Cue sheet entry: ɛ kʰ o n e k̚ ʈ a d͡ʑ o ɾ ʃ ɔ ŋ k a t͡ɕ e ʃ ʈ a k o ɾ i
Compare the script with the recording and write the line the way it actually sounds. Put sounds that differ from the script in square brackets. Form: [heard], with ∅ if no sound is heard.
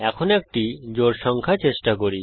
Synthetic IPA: ɛ kʰ o n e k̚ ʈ [i] d͡ʑ o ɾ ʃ ɔ ŋ [kʰ] a t͡ɕ e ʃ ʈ a k o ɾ i